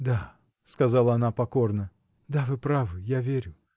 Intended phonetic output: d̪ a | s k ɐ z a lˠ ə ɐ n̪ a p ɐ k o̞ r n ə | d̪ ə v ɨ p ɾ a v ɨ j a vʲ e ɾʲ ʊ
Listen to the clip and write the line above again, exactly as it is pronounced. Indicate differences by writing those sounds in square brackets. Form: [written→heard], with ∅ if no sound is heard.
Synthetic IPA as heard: d̪ a | s k ɐ z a lˠ ə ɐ n̪ a p ɐ k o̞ r n ə | d̪ [ə→a] v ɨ p ɾ a v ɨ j a vʲ e ɾʲ ʊ